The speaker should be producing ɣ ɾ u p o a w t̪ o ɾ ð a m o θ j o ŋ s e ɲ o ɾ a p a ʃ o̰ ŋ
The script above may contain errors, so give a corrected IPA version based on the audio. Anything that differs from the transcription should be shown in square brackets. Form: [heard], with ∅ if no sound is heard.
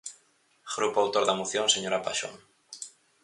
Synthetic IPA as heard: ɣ ɾ u p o a w t̪ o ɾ ð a m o θ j o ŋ s e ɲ o ɾ a p a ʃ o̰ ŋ

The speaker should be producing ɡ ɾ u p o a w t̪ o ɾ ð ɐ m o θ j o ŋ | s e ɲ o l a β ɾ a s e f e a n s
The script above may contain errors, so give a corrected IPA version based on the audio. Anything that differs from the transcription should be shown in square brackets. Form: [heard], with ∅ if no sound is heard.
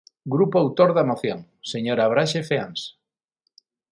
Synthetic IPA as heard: ɡ ɾ u p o a w t̪ o ɾ ð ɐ m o θ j o ŋ | s e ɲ o [ɾ] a β ɾ a [ʃ] e f e a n s

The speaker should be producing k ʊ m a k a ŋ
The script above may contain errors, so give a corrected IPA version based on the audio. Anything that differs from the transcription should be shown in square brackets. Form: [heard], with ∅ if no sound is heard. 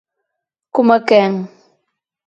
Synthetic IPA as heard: k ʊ m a k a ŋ

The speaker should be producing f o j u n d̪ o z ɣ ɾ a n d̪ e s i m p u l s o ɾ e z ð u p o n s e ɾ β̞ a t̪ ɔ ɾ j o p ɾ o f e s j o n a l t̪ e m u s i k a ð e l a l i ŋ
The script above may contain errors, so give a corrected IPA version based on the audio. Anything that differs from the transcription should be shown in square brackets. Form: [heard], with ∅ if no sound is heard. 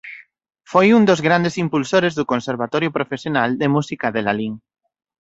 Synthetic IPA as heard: f o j u n d̪ o z ɣ ɾ a n d̪ e s i m p u l s o ɾ e z ð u [k] o n s e ɾ β̞ a t̪ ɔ ɾ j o p ɾ o f e s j o n a l [d̪] e m u s i k a ð e l a l i ŋ

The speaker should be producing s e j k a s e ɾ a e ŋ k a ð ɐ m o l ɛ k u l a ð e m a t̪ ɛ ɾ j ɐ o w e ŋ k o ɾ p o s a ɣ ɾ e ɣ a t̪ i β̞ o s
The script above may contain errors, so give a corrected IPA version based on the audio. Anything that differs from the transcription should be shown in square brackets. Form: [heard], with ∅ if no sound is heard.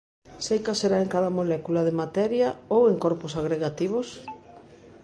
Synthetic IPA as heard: s e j k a s e ɾ a e ŋ k a ð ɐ m o l ɛ k u l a ð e m a t̪ ɛ ɾ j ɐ o w e ŋ k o ɾ p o s a ɣ ɾ e ɣ a t̪ i β̞ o s

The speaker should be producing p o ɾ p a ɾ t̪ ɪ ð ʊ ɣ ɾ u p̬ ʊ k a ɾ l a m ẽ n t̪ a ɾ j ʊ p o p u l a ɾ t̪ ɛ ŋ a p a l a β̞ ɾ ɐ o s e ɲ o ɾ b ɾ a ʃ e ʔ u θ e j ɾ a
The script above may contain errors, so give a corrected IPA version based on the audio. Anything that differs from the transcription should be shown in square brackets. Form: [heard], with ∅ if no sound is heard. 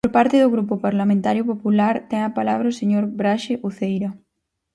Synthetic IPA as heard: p o ɾ p a ɾ t̪ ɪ ð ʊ ɣ ɾ u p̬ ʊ [p] a ɾ l a m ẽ n t̪ a ɾ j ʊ p o p u l a ɾ t̪ ɛ ŋ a p a l a β̞ ɾ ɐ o s e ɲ o ɾ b ɾ a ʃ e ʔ u θ e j ɾ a

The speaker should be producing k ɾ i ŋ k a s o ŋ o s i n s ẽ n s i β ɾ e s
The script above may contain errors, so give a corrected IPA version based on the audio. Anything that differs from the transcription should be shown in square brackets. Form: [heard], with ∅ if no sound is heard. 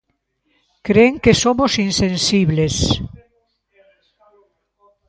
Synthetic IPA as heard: k ɾ [e] ŋ k [e] s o [m] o s i n s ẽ n s i β [l] e s

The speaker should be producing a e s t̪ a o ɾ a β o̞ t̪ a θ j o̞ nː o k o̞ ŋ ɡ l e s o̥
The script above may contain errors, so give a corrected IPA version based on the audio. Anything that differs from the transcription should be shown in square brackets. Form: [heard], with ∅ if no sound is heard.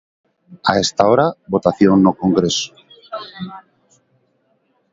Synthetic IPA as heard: a e s t̪ a o ɾ a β o̞ t̪ a θ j o̞ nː o k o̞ ŋ ɡ [ɾ] e s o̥

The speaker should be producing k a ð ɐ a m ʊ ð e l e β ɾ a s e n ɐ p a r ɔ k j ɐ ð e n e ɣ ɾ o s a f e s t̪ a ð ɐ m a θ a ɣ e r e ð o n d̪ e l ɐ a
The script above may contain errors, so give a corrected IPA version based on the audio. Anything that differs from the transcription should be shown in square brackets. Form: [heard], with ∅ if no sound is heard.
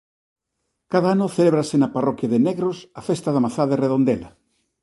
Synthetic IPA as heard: k a ð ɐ a [n] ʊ [θ] e l e β ɾ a s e n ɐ p a r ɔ k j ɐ ð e n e ɣ ɾ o s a f e s t̪ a ð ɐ m a θ a [ð] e r e ð o n d̪ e l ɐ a

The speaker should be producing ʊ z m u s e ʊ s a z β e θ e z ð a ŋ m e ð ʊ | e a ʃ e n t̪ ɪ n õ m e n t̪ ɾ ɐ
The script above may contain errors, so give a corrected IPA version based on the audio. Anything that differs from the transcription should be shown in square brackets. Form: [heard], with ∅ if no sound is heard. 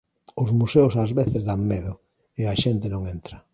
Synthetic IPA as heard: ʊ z m u s e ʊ s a z β e θ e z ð a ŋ m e ð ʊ | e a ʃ e n t̪ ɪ n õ [ŋ] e n t̪ ɾ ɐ

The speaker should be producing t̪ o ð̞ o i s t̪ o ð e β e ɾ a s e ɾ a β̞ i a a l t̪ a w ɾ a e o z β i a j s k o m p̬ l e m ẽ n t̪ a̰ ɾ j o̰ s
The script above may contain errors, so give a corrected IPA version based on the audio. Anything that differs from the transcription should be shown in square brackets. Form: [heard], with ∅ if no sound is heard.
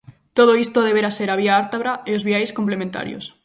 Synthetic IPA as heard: t̪ o ð̞ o i s t̪ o ð e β e ɾ a s e ɾ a β̞ i a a [ɾ] t̪ a [β] ɾ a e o z β i a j s k o m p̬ l e m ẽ n t̪ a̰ ɾ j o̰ s

